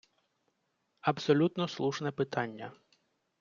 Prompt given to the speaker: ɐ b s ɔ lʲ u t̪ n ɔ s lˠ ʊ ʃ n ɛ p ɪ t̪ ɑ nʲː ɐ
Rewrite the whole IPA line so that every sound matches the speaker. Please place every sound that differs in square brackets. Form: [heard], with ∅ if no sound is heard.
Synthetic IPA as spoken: ɐ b s ɔ lʲ u t̪ n ɔ s lˠ [u] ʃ n ɛ p ɪ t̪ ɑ nʲː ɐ